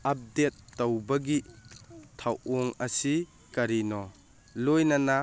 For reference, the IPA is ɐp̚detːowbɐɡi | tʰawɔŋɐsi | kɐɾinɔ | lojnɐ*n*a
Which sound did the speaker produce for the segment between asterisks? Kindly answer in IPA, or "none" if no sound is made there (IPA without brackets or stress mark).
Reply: n